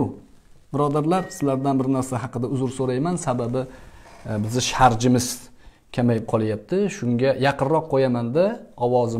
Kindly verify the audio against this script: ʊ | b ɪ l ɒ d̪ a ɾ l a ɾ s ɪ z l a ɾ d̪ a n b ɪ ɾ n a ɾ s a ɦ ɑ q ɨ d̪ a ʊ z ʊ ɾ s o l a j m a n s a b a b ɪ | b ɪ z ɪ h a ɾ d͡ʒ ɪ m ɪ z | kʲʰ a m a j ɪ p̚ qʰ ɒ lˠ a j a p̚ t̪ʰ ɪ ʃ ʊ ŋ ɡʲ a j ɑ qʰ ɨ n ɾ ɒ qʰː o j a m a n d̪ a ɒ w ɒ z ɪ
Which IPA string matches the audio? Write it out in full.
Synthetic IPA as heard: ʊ | b ɪ ɾ ɒ d̪ a ɾ l a ɾ s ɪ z l a ɾ d̪ a n b ɪ ɾ n a ɾ s a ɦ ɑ q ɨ d̪ a ʊ z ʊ ɾ s o ɾ a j m a n s a b a b ɪ | b ɪ z ɪ ʃ a ɾ d͡ʒ ɪ m ɪ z | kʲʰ a m a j ɪ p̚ qʰ ɒ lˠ a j a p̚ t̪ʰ ɪ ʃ ʊ ŋ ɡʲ a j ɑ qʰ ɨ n ɾ ɒ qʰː o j a m a n d̪ a ɒ w ɒ z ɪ